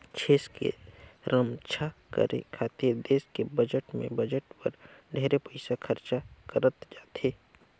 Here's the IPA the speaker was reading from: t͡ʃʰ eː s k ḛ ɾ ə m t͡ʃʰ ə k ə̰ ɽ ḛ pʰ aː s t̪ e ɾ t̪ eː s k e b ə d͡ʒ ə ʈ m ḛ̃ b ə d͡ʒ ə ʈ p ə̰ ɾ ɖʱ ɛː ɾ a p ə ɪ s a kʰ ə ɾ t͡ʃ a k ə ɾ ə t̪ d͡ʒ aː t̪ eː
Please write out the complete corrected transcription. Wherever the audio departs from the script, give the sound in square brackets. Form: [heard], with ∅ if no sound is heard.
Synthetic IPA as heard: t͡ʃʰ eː s k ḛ ɾ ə m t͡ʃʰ [a] k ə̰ [ɾ] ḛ [kʰ] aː [∅] t̪ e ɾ [d̪] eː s k e b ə d͡ʒ ə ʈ m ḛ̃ b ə d͡ʒ ə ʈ p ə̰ ɾ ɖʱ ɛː ɾ [e] p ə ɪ s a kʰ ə ɾ t͡ʃ a k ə ɾ ə t̪ d͡ʒ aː t̪ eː